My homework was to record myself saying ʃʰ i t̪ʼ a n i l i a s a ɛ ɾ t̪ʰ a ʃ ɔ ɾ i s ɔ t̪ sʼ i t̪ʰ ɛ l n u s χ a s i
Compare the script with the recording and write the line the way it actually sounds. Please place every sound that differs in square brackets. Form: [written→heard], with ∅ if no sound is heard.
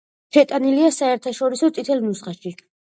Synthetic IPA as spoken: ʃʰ [i→ɛ] t̪ʼ a n i l i a s a ɛ ɾ t̪ʰ a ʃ ɔ ɾ i s ɔ t̪ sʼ i t̪ʰ ɛ l n u s χ a [s→ʃ] i